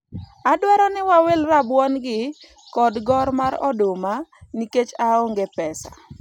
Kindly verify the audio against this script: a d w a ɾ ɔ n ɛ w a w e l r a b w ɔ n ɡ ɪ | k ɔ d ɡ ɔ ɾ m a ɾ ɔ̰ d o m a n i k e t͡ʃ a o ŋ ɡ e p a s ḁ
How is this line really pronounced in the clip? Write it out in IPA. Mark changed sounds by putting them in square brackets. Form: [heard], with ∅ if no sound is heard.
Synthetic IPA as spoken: a d w a ɾ ɔ n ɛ w a w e l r a b w ɔ n ɡ ɪ | k ɔ d ɡ ɔ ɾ m a ɾ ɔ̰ d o m a n i k e t͡ʃ a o ŋ ɡ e p [ɛ] s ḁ